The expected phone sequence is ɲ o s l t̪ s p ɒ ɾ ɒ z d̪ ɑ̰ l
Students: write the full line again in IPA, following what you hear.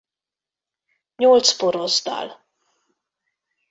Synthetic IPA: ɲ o l t̪ s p o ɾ o z d̪ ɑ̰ l